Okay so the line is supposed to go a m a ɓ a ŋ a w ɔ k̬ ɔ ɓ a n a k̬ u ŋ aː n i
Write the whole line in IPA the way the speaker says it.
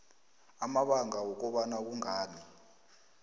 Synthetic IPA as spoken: a m a ɓ a ŋ a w ɔ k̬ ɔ ɓ a n a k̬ u ŋ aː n i

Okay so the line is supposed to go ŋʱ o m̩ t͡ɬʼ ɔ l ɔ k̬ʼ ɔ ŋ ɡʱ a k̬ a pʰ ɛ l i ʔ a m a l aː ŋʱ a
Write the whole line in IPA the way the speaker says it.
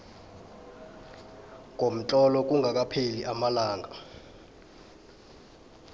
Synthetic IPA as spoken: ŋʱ o m̩ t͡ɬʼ ɔ l ɔ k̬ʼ u ŋ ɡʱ a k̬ a pʰ e l i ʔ a m a l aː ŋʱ a

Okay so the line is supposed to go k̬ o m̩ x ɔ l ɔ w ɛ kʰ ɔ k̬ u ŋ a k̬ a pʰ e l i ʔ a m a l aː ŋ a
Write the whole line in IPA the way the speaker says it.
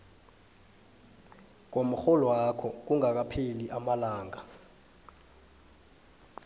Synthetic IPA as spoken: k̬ o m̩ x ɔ l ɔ w a kʰ ɔ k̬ u ŋ a k̬ a pʰ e l i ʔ a m a l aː ŋ a

